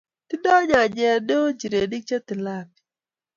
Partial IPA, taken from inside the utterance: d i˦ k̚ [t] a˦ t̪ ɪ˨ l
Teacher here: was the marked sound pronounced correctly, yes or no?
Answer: no